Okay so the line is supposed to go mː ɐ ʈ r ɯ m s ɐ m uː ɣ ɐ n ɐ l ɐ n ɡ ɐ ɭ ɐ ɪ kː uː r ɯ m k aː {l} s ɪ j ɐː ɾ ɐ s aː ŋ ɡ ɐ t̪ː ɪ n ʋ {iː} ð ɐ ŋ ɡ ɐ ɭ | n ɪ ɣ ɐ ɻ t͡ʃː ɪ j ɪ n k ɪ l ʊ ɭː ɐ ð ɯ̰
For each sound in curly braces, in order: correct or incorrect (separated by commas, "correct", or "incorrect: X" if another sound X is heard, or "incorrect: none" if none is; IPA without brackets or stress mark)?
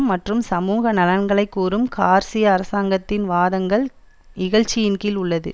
incorrect: ɾ, incorrect: aː